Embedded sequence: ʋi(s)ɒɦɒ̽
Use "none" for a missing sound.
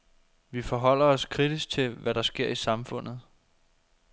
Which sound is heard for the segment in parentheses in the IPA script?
f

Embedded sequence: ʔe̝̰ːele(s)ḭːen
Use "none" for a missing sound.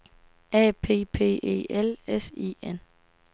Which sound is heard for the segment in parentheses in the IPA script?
s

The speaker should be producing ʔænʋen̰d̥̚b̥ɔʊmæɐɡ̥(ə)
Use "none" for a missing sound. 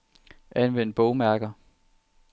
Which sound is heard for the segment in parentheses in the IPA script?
ɐ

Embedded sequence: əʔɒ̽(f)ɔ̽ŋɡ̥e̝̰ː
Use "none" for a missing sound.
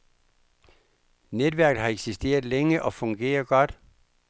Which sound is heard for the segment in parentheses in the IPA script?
f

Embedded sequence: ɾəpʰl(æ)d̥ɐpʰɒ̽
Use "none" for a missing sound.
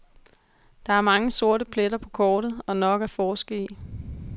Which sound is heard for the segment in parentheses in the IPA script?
e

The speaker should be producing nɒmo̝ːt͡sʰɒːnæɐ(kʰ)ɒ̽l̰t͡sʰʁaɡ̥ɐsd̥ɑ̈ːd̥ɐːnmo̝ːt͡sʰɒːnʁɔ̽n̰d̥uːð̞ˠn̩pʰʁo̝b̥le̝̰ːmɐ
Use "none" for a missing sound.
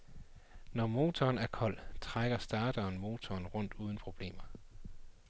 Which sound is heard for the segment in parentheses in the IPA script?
kʰ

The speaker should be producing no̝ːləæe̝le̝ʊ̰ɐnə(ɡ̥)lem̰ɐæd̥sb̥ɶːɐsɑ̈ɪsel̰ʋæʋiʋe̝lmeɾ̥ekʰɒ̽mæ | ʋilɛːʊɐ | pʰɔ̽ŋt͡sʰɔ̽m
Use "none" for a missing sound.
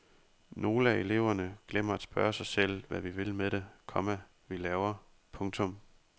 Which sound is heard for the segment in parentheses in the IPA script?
ɡ̥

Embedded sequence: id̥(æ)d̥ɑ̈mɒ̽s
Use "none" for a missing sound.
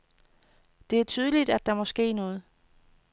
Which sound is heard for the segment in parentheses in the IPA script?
æ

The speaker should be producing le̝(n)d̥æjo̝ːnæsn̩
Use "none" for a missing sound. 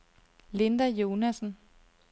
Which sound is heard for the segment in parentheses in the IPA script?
n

